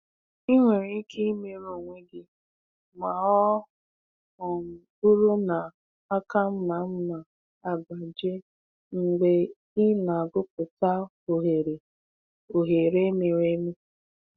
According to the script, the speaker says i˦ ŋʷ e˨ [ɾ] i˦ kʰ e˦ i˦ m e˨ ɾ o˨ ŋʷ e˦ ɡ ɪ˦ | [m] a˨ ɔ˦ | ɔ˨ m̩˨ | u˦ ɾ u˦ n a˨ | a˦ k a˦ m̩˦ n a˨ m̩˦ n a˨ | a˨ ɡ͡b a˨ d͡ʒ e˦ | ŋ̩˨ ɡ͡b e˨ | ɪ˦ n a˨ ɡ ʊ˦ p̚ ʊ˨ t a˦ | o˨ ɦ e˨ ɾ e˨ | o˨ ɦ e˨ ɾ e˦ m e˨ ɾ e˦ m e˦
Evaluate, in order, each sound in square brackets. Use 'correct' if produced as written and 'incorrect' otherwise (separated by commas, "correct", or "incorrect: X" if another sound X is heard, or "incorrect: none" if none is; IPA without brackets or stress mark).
correct, correct